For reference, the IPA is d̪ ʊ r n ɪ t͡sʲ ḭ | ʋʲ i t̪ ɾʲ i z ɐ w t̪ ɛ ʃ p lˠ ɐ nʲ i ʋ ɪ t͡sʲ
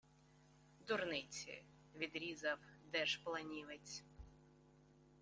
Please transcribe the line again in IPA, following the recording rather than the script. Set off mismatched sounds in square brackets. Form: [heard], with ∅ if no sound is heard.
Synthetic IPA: d̪ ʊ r n ɪ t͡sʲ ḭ | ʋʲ i [d̪] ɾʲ i z ɐ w [d̪] ɛ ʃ p lˠ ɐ nʲ i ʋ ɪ t͡sʲ

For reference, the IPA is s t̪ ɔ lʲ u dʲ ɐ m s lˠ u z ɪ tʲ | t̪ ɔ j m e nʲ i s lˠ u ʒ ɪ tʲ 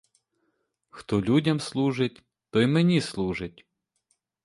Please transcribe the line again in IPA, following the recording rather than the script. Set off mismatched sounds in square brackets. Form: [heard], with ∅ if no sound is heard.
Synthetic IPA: [x] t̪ ɔ lʲ u dʲ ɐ m s lˠ u [ʒ] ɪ tʲ | t̪ ɔ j m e nʲ i s lˠ u ʒ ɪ tʲ

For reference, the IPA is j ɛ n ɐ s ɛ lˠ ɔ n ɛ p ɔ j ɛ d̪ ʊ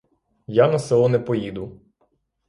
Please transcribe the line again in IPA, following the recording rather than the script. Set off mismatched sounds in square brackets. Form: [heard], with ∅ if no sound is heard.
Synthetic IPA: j [a] n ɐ s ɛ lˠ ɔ n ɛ p ɔ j [i] d̪ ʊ

